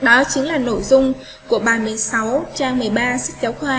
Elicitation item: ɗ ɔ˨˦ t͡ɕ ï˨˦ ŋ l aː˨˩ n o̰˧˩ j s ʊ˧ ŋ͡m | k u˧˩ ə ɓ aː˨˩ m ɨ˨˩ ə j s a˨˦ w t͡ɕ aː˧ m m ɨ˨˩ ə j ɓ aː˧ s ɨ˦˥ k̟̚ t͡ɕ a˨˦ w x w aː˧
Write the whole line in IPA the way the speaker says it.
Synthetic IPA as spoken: ɗ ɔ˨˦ t͡ɕ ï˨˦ ŋ l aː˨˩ n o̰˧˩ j z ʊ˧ ŋ͡m | k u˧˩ ə ɓ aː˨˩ m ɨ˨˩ ə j s a˨˦ w t͡ɕ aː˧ ŋ m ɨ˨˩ ə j ɓ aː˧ s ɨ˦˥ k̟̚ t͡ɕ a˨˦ w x w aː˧